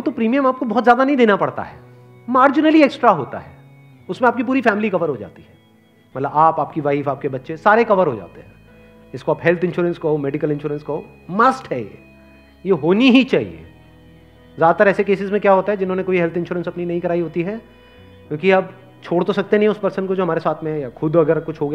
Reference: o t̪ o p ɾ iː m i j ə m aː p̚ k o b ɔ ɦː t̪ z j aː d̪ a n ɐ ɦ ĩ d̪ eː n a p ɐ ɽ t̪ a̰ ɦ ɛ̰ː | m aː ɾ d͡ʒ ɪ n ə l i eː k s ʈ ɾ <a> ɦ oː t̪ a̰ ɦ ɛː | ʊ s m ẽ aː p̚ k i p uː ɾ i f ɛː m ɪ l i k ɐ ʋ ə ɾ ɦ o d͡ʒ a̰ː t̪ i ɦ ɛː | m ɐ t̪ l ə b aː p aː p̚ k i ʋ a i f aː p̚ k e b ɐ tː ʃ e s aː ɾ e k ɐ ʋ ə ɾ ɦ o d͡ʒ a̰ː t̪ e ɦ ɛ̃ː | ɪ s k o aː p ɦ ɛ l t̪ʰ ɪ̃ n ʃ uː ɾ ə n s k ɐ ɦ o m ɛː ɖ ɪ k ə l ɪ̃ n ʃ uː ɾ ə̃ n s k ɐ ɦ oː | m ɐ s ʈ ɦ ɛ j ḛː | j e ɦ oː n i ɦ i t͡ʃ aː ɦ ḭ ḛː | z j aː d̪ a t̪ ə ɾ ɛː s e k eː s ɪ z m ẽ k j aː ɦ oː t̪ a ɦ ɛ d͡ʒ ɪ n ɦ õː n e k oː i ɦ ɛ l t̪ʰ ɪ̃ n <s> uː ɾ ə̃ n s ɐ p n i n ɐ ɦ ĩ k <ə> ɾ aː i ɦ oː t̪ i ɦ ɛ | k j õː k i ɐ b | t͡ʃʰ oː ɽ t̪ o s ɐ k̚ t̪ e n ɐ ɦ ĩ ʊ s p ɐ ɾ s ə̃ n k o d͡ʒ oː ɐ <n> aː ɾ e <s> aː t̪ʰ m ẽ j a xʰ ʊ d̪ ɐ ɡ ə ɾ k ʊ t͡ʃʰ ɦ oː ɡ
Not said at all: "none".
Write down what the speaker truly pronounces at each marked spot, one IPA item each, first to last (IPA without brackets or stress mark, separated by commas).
a, ʃ, ɐ, m, s